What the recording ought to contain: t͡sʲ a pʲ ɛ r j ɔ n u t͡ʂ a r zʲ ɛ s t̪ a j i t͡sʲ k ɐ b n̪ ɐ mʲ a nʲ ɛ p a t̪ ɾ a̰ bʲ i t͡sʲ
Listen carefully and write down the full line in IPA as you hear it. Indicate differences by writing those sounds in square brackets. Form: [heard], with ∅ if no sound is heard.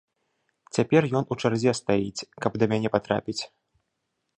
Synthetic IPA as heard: t͡sʲ a pʲ ɛ r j ɔ n u t͡ʂ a r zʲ ɛ s t̪ a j i t͡sʲ k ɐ b [d̪] ɐ mʲ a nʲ ɛ p a t̪ ɾ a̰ [pʲ] i t͡sʲ